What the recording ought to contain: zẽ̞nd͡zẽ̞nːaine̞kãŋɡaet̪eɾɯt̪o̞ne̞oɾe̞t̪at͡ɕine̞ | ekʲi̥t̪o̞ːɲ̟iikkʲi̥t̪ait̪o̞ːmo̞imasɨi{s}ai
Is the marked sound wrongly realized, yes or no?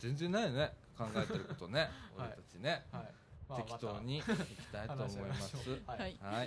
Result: yes